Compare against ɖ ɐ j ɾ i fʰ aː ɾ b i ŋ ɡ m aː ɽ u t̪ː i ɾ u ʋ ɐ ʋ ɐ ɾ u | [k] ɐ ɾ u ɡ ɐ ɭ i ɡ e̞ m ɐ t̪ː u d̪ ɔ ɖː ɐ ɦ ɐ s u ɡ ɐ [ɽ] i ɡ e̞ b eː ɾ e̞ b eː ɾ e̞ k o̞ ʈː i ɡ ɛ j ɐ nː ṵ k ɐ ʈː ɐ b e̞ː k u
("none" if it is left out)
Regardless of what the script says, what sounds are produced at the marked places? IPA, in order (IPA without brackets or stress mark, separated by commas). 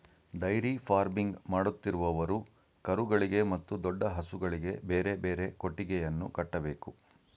k, ɭ